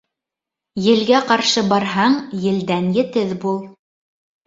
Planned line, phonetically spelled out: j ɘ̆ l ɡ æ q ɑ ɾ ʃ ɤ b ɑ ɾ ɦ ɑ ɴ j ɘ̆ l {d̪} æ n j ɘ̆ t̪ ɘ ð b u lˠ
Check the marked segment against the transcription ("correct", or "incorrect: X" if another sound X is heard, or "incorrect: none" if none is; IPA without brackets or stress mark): correct